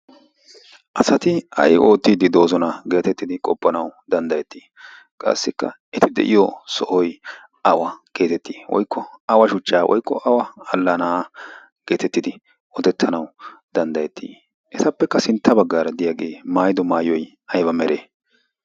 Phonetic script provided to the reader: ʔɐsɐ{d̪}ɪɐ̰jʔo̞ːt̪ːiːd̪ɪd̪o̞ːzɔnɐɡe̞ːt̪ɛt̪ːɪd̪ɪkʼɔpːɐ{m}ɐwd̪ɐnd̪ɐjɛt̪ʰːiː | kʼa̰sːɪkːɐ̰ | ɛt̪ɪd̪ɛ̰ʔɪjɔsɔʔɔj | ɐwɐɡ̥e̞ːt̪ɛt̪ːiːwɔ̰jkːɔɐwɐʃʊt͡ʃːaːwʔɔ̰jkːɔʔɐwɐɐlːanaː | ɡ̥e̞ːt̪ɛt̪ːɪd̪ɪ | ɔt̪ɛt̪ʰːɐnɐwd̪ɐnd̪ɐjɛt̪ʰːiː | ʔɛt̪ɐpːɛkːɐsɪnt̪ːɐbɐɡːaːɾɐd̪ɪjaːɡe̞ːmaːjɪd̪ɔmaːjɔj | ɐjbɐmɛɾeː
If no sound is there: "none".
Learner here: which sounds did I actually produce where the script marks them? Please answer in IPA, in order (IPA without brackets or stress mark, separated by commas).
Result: t̪, n